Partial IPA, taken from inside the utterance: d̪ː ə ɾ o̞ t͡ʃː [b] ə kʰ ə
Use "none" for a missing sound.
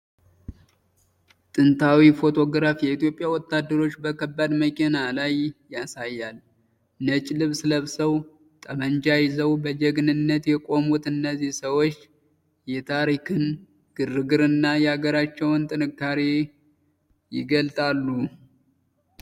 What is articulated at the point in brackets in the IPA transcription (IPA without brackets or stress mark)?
b